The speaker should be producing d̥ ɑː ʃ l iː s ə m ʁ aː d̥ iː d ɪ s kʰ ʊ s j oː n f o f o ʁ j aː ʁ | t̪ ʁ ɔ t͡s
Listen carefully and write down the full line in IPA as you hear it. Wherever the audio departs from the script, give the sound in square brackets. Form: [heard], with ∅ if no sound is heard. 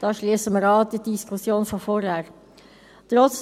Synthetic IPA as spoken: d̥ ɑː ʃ l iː s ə m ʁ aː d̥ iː d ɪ s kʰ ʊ s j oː n f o f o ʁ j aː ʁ | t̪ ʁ ɔ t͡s

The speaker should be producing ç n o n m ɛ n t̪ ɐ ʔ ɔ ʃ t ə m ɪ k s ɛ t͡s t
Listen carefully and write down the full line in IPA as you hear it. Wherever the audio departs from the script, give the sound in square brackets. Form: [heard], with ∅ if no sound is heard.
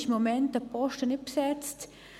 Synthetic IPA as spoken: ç [m] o [∅] m ɛ n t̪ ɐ [p] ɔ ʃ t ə [n] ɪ [p] s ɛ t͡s t

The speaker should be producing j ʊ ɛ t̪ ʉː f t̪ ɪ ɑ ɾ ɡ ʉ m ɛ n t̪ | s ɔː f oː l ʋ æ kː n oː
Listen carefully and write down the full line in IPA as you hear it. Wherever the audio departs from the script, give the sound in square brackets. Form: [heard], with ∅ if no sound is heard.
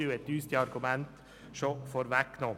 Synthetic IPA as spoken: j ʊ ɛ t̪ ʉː [s] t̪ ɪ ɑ ɾ ɡ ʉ m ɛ n t̪ | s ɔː f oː [ɾ] ʋ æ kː n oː

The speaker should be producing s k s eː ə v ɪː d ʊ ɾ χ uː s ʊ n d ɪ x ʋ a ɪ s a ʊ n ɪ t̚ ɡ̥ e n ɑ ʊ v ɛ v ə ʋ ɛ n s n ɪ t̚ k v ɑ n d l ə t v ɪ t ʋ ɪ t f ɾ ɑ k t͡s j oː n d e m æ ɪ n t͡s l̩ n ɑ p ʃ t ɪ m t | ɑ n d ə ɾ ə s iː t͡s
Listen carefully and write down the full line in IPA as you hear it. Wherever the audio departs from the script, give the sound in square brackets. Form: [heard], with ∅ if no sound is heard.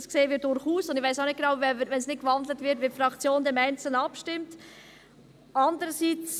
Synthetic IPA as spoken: s k s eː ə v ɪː d ʊ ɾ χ uː s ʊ n d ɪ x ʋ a ɪ s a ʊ n ɪ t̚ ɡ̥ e n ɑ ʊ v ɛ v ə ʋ ɛ n s n ɪ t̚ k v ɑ n d l ə t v ɪ t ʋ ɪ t f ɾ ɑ k t͡s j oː n d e m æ ɪ n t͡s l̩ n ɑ p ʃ t ɪ m t | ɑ n d ə ɾ ə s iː t͡s

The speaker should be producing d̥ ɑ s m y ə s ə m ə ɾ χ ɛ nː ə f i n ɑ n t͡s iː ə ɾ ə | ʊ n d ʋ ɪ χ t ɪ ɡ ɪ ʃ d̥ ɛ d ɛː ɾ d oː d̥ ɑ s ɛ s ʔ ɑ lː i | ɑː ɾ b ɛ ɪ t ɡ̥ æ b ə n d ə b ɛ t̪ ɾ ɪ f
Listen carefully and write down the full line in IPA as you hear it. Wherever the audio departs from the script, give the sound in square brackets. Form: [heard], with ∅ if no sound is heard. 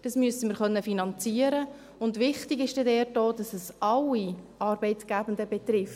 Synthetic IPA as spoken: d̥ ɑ s m y ə s ə m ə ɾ χ [œ] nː ə f i n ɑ n t͡s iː ə ɾ ə | ʊ n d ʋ ɪ χ t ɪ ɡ ɪ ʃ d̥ ɛ d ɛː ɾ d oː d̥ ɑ s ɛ s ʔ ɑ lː i | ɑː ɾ b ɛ ɪ t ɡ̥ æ b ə n d ə b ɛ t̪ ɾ ɪ f

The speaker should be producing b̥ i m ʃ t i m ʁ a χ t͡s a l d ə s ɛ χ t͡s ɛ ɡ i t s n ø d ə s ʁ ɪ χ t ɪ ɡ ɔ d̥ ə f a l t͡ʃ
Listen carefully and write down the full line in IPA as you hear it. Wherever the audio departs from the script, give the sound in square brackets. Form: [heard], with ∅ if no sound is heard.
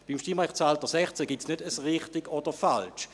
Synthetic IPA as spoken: b̥ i m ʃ t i m ʁ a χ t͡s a l [t] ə s ɛ χ t͡s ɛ ɡ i t s n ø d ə s ʁ ɪ χ t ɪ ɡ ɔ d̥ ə f a l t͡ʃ

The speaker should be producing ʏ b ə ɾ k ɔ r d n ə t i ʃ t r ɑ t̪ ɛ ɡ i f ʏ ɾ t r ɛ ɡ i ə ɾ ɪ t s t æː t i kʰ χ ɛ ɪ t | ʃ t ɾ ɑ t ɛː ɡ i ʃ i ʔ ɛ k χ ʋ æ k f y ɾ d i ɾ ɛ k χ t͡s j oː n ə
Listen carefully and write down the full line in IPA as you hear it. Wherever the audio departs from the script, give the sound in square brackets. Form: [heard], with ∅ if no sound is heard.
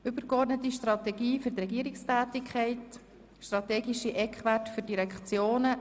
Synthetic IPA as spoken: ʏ b ə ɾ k ɔ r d n ə t i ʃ t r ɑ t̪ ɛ ɡ [iː] f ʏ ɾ t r ɛ ɡ i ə ɾ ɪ [k] s t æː t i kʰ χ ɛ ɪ t | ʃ t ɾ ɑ t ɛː ɡ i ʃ i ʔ ɛ k χ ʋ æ [t] f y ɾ d i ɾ ɛ k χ t͡s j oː n ə

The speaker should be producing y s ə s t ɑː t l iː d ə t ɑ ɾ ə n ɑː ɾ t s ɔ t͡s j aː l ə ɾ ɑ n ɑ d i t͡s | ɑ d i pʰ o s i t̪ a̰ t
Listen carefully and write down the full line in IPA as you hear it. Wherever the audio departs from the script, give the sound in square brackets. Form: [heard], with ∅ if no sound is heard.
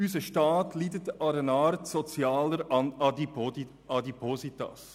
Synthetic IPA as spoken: y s ə [ʃ] t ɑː t l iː d ə t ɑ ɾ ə n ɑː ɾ t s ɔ t͡s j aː l ə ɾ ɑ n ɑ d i [∅] | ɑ d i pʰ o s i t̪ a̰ [s]

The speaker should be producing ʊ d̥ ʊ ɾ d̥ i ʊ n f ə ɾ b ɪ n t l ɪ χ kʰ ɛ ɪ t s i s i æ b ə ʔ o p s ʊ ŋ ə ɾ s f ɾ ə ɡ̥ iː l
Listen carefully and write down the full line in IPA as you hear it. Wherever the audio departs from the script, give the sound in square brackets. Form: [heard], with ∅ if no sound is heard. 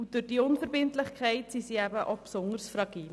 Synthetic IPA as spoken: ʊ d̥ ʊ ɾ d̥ i ʊ n f ə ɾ b ɪ n t l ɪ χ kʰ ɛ ɪ t s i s i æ b ə ʔ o p s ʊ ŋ ə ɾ s f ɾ [ɑ] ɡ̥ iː l

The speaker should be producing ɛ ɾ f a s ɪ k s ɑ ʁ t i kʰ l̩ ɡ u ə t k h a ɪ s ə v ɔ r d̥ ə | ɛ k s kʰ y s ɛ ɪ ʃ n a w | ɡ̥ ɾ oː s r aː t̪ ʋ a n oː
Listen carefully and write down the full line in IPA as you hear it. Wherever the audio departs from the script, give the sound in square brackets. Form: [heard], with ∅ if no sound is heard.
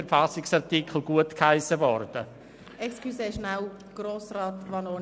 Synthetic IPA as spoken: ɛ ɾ f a s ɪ k s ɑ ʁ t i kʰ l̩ ɡ u ə t k h a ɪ s ə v ɔ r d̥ ə | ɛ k s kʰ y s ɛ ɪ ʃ n a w | ɡ̥ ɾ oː s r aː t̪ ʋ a n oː

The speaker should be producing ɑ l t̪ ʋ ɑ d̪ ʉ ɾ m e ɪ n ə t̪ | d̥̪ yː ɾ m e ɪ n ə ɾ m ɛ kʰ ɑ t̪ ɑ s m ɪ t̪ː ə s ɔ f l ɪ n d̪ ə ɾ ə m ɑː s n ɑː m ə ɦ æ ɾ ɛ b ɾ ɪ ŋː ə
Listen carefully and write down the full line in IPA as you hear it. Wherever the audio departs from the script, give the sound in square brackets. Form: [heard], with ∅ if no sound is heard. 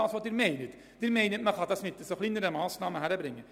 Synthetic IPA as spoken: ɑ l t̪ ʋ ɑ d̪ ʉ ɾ m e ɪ n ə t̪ | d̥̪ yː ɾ m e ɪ n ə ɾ m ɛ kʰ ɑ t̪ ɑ s m ɪ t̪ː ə s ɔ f l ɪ n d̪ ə ɾ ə m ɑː s n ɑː m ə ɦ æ ɾ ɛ b ɾ ɪ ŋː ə

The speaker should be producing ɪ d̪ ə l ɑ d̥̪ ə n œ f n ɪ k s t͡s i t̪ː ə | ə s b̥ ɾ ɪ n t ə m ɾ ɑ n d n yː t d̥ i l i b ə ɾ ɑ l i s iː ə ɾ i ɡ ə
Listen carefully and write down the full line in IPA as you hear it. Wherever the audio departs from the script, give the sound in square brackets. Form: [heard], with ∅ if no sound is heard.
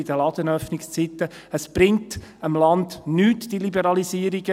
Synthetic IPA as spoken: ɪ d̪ ə l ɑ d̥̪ ə n œ f n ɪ k s t͡s i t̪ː ə | ə s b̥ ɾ ɪ [ŋ] t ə m [l] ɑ n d n yː t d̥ i l i b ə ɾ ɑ l i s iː ə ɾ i ɡ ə

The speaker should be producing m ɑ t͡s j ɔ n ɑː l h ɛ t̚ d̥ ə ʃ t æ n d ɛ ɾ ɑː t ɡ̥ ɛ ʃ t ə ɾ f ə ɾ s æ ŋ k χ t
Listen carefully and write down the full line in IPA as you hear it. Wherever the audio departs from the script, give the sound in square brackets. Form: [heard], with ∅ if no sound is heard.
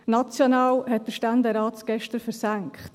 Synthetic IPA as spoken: [n] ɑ t͡s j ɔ n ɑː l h ɛ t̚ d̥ ə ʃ t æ n d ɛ ɾ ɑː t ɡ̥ ɛ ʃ t ə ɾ f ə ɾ s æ ŋ k χ t

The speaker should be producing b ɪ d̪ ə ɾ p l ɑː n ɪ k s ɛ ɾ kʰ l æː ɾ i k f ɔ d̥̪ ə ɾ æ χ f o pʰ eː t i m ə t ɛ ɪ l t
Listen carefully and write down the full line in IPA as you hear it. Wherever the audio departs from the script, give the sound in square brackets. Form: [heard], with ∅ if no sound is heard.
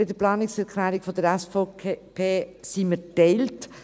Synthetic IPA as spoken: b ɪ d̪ ə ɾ p l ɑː n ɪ k s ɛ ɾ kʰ l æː ɾ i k f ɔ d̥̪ ə ɾ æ [s] f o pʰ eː [s] i m ə t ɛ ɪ l t

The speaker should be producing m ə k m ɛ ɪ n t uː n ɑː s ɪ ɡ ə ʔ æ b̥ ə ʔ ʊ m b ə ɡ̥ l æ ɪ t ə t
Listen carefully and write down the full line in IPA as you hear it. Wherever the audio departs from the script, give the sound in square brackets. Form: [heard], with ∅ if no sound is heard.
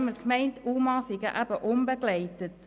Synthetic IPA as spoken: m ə k m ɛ ɪ n t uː [m] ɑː s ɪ ɡ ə ʔ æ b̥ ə ʔ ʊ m b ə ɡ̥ l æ ɪ t ə t

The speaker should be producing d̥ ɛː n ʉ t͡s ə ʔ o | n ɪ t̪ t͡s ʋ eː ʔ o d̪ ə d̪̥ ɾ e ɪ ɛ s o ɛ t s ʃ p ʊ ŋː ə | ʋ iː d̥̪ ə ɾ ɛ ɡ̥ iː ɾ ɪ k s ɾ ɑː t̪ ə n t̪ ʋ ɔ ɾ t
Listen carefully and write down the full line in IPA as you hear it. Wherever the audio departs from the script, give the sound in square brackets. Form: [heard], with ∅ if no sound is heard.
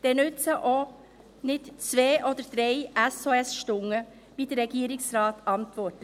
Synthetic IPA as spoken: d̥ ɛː n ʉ t͡s ə ʔ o | n ɪ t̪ t͡s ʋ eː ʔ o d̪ ə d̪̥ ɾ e ɪ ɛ s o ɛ [∅] s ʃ [t] ʊ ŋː ə | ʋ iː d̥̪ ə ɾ ɛ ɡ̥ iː ɾ ɪ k s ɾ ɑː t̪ [ɑ] n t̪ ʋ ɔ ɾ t

